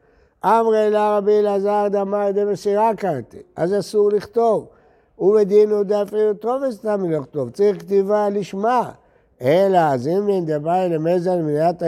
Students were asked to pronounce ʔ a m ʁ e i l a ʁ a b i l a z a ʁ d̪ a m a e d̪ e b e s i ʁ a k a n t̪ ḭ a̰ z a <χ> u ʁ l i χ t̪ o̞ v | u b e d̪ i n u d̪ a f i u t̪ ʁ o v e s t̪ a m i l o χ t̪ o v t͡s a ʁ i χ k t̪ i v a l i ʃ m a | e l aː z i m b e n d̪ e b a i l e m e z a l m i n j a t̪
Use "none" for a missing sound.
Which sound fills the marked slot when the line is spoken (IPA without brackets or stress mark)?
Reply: s